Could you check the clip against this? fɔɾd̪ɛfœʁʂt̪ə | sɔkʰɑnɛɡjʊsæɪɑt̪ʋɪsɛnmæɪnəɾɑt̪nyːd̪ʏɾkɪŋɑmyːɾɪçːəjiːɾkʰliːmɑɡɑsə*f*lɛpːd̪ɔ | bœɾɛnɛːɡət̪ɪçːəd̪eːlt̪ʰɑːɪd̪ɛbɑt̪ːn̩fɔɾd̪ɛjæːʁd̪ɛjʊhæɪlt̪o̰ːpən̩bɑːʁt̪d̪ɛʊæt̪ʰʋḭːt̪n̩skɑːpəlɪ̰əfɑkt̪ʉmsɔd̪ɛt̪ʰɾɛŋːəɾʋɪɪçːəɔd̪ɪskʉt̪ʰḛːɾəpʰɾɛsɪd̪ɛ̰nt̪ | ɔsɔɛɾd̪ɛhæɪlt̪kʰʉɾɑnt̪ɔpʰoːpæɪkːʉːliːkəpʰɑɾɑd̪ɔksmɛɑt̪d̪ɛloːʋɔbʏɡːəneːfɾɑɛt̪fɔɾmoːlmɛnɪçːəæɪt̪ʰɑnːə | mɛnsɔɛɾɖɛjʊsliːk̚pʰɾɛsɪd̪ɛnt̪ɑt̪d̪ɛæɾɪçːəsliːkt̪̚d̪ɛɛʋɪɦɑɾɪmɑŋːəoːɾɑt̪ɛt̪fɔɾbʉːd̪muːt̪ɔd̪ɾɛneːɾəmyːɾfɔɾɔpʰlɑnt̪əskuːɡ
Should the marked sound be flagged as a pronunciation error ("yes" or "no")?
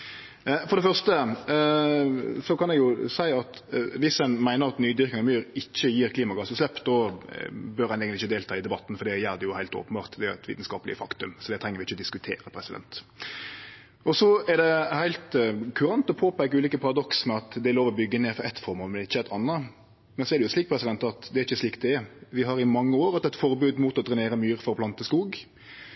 yes